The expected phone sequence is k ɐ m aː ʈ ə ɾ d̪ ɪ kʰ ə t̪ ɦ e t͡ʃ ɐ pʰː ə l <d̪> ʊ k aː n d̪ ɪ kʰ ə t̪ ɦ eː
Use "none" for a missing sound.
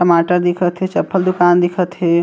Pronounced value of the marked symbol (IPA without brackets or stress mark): d̪